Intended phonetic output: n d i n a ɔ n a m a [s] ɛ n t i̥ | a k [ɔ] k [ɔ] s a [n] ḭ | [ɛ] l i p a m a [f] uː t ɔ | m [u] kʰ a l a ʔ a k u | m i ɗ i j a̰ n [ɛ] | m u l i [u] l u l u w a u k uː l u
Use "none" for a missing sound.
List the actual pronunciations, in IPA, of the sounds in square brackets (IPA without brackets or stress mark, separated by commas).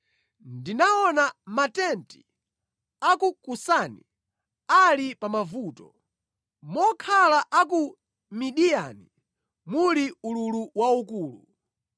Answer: t, u, u, n, a, v, ɔ, i, u